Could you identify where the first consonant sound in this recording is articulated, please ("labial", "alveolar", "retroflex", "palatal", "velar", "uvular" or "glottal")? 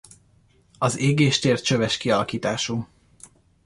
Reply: alveolar